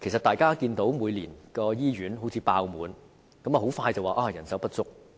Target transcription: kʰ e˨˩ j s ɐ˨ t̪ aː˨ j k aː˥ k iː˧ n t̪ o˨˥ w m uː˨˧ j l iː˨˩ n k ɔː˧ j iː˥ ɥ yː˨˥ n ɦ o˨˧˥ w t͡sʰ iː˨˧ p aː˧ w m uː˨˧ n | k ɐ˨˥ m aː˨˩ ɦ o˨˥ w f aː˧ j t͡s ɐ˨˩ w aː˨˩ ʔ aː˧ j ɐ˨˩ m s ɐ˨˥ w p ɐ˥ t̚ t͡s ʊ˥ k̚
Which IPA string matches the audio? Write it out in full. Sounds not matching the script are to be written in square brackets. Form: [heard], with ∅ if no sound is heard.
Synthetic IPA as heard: kʰ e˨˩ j s ɐ˨ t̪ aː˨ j k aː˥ k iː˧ n t̪ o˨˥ w m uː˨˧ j l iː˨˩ n k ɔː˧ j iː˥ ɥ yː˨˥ n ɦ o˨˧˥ w t͡sʰ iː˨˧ p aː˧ w m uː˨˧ n | k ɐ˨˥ m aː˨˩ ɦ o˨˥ w f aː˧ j t͡s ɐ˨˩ w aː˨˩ ʔ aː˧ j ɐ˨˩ [n] s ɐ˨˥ w p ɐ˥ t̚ t͡s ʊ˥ k̚